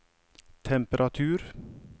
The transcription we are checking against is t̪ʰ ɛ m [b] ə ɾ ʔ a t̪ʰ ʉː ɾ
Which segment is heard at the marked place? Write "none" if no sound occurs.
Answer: p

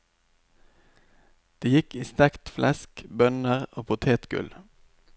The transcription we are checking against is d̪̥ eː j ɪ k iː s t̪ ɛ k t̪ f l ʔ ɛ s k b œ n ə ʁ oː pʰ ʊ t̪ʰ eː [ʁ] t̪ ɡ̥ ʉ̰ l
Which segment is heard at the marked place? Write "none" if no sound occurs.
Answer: none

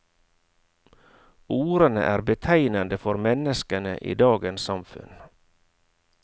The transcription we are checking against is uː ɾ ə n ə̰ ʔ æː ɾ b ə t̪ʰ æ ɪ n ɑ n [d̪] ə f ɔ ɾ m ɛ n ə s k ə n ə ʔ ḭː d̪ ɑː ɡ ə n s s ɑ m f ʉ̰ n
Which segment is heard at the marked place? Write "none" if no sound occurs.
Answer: d̪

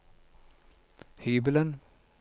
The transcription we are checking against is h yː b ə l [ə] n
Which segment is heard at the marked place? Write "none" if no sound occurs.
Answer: ə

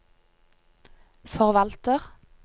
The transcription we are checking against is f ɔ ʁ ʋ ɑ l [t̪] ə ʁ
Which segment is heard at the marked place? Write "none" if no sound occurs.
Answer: t̪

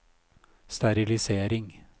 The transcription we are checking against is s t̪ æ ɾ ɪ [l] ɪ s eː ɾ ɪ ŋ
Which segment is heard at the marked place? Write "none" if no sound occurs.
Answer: l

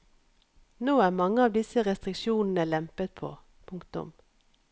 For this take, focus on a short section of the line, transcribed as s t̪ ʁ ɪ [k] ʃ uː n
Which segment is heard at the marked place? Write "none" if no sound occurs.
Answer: k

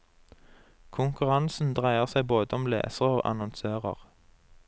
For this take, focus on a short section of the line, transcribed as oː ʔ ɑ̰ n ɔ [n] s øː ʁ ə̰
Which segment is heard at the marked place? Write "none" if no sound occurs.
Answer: n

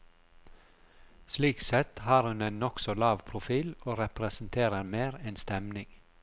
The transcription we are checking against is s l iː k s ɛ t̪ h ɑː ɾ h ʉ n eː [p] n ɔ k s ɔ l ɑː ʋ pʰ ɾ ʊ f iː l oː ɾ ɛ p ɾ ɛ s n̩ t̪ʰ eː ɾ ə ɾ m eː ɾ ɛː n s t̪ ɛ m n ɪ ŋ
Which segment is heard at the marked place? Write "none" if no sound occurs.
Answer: none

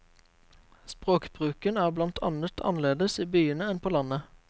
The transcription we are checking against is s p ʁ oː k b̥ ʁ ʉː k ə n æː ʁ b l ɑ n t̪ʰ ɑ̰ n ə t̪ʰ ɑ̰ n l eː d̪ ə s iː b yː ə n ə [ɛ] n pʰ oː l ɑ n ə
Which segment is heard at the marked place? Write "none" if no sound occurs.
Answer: ɛ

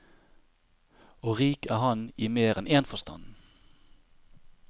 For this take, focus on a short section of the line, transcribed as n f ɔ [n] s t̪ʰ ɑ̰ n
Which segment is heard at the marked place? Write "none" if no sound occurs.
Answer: none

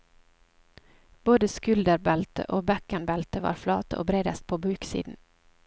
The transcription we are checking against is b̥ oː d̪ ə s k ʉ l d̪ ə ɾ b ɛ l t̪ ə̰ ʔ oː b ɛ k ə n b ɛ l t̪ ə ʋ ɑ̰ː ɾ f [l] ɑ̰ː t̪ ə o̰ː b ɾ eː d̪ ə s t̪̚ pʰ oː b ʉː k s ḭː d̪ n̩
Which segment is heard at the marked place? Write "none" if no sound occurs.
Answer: l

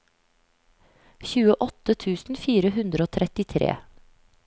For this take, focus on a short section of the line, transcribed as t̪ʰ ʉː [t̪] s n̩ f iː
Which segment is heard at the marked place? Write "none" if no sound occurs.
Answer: none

